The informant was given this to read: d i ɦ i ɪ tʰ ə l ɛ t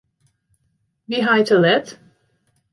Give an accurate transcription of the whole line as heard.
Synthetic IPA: b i ɦ a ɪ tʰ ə l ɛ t

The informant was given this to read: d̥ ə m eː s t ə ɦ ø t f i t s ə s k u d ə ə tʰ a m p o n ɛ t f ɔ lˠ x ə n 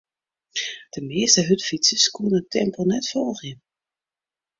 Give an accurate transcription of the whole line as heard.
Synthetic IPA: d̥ ə m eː s t ə ɦ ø t f i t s ə s k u n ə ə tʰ ɛ m p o n ɛ t f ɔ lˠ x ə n

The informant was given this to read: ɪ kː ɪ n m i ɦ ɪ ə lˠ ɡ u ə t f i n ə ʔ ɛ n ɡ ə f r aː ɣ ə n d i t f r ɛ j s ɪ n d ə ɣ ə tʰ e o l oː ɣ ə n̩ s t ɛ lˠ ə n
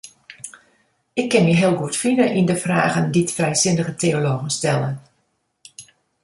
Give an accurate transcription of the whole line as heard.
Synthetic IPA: ɪ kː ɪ n m i ɦ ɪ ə lˠ ɡ u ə t f i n ə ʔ i n d ə f r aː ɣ ə n d i t f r ɛ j s ɪ n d ə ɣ ə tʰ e o l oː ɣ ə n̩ s t ɛ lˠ ə n

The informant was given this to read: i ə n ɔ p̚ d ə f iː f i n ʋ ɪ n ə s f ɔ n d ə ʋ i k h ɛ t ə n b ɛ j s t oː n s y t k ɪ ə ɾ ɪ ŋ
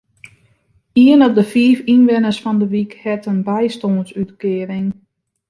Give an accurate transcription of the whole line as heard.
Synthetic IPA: i ə n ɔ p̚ d ə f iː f i n ʋ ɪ n ə s f ɔ n d ə ʋ i k h ɛ t ə n b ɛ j s t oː n s y t k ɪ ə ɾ ɪ ŋ

